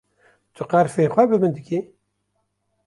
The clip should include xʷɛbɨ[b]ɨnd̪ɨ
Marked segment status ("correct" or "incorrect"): correct